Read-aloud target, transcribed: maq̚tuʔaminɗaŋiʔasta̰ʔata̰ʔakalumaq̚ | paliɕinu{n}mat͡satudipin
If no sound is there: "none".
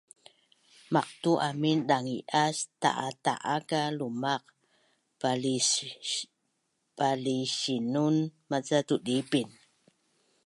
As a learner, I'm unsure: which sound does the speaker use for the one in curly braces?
n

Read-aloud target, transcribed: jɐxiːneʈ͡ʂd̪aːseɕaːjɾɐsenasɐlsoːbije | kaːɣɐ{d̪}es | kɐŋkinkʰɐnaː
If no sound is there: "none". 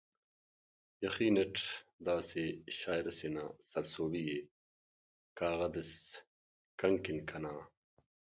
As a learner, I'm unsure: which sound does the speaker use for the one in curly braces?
d̪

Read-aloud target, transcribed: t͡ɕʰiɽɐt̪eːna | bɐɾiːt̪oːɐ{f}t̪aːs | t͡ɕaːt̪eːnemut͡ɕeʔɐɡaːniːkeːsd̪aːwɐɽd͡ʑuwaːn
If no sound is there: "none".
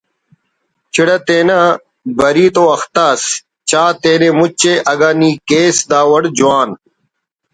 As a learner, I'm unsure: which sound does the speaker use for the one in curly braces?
x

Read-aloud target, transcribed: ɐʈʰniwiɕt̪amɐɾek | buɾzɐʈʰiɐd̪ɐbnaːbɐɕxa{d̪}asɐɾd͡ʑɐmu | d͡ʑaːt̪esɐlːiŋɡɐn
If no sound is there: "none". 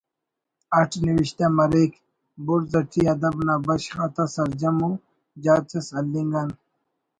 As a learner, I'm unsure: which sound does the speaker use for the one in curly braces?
t̪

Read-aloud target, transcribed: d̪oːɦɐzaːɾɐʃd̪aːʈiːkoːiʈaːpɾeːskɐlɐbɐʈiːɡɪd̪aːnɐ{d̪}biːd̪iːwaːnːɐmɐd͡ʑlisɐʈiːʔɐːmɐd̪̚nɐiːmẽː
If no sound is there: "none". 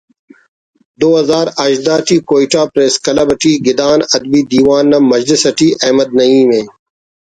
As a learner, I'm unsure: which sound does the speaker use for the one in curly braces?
d̪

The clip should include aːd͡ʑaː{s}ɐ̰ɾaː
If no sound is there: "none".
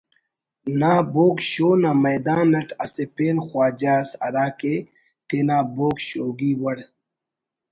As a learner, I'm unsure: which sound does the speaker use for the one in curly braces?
s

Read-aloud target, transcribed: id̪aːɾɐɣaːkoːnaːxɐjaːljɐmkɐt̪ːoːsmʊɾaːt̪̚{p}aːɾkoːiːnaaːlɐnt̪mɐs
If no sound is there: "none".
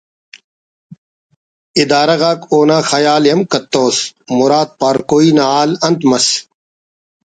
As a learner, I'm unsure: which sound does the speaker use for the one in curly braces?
p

